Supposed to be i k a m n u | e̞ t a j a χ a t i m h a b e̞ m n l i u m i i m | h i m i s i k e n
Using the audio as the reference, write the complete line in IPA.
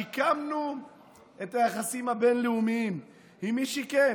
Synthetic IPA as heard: i k a m n u | e̞ t a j a χ a s i m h a b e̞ n l e u m i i m | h i m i ʃ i k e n